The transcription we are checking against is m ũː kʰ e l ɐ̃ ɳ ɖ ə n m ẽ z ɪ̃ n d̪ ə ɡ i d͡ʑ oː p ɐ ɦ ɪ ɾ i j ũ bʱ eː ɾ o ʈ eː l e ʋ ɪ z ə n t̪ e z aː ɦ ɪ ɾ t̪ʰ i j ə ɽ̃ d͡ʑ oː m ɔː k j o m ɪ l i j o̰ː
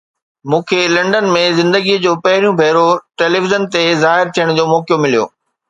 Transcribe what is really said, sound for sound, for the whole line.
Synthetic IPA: m ũː kʰ e l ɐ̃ ɳ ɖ ə n m ẽ z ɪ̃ n d̪ ə ɡ i d͡ʑ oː p ɐ ɦ ɪ ɾ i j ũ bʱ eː ɾ o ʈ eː l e ʋ ɪ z ə n t̪ e z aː ɦ ɪ ɾ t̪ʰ i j ə ɽ̃ d͡ʑ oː m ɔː k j o m ɪ l i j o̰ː